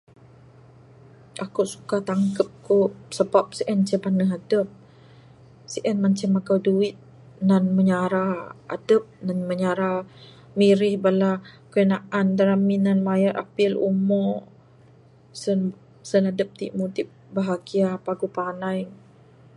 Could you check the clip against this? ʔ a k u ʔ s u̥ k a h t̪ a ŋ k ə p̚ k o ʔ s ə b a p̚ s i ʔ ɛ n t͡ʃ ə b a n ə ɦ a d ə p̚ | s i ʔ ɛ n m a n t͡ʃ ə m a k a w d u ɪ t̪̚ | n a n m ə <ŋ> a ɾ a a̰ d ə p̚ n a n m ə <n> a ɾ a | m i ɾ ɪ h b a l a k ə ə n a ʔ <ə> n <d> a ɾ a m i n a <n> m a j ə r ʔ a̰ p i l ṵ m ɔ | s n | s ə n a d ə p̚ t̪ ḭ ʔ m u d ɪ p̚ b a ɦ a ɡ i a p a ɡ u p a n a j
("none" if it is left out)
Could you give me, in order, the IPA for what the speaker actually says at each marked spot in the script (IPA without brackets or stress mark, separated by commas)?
ɲ, ɲ, a, d, n